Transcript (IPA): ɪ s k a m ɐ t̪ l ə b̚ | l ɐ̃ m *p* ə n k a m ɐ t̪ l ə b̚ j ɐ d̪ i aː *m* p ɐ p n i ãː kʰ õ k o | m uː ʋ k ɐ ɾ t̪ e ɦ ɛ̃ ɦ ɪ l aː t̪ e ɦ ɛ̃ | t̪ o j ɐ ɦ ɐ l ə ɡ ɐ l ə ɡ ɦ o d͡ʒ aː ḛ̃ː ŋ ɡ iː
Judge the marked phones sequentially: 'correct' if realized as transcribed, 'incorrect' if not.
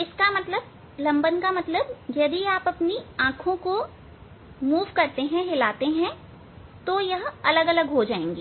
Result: incorrect, incorrect

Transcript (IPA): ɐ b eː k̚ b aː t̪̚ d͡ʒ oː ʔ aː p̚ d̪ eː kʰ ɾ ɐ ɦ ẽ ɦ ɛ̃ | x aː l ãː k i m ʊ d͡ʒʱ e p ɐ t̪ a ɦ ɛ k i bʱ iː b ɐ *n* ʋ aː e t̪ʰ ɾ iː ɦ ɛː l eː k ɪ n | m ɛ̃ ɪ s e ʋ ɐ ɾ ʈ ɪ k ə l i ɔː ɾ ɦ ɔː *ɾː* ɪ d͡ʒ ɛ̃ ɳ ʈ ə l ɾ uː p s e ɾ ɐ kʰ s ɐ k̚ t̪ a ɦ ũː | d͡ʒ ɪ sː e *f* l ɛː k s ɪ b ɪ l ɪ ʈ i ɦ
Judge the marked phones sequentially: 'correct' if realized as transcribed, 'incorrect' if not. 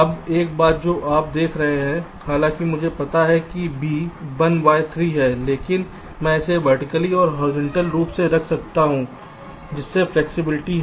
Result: correct, incorrect, correct

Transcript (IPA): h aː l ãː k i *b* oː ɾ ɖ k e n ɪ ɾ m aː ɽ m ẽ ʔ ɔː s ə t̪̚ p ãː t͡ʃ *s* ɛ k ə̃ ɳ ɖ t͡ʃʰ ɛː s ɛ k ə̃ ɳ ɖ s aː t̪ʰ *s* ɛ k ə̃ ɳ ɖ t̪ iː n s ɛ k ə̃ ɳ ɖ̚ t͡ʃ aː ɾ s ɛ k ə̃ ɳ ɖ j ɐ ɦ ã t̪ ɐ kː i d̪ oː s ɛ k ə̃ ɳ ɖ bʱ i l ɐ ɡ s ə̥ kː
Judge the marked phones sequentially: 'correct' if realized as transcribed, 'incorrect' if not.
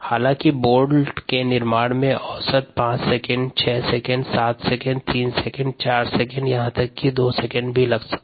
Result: correct, correct, correct

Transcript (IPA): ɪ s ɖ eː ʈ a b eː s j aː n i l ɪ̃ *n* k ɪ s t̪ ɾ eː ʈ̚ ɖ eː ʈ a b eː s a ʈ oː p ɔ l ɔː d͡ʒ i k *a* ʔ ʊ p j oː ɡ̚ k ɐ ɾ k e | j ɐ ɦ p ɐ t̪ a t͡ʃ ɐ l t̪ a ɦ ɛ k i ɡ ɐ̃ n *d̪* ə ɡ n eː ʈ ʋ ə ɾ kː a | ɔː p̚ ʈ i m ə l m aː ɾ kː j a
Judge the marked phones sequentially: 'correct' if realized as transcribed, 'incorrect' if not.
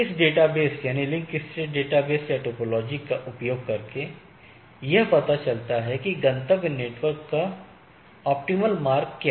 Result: incorrect, correct, incorrect

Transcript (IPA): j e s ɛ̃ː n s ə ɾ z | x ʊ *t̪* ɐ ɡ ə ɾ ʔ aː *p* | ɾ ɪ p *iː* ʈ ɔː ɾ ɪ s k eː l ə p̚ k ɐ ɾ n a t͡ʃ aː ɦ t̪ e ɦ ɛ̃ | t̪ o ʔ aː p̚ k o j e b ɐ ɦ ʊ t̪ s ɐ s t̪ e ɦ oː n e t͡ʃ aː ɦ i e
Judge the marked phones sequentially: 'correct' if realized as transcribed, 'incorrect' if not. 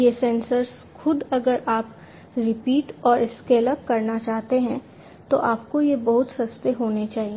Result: incorrect, correct, correct

